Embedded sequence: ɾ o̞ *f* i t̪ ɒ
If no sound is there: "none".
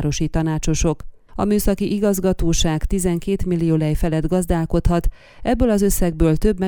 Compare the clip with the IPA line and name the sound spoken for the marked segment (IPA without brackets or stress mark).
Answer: ʃ